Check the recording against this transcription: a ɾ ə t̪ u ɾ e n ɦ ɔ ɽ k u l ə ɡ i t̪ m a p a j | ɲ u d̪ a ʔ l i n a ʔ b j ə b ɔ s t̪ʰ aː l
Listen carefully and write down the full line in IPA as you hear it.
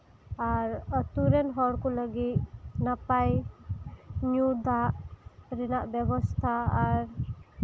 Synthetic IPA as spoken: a ɾ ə t̪ u ɾ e n ɦ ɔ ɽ k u l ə ɡ i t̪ n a p a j | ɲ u d̪ a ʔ ɾ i n a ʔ b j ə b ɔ s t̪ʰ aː ɾ